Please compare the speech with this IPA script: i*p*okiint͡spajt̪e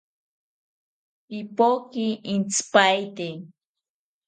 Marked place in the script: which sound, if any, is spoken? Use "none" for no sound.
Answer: p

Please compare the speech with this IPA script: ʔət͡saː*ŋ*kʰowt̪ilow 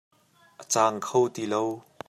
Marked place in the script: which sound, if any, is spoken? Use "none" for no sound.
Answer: ŋ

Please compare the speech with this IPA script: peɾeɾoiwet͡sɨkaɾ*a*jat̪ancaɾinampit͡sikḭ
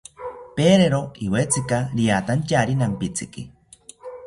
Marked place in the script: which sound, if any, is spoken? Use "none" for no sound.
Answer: i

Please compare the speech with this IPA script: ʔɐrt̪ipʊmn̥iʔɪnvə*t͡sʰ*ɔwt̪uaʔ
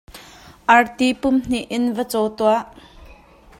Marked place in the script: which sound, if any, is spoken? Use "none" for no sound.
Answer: t͡s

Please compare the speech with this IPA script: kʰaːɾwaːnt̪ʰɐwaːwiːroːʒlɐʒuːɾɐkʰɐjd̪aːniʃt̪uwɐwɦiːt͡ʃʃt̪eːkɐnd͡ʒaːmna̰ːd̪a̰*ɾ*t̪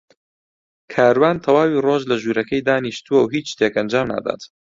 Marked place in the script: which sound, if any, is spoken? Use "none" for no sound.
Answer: none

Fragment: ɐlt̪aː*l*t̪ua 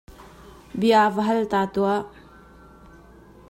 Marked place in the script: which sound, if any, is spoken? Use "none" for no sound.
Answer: none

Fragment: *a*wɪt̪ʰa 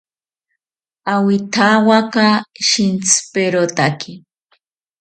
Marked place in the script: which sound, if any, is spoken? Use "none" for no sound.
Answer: a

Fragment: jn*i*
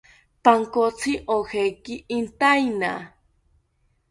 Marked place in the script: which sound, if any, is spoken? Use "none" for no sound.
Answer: a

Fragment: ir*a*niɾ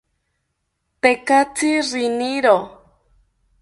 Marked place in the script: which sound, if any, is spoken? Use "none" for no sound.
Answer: i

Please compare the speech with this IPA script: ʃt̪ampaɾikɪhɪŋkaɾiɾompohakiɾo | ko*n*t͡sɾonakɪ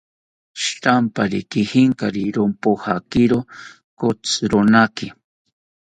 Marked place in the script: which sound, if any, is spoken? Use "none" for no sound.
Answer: none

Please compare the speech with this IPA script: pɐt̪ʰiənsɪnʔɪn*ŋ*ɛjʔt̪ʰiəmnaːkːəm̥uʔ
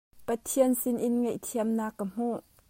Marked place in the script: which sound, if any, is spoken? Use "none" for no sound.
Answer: ŋ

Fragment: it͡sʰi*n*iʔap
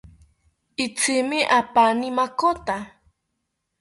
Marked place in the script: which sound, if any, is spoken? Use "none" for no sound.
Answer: m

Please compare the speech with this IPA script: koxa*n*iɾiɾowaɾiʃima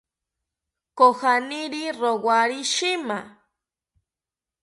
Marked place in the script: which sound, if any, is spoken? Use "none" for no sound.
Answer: n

